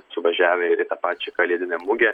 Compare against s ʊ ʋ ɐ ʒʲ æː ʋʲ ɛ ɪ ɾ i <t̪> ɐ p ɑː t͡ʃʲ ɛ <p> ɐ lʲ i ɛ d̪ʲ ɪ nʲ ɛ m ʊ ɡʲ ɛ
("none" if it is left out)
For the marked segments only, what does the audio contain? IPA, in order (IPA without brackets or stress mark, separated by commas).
t̪, k